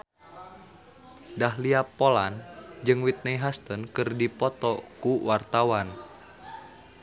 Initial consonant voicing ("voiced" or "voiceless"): voiced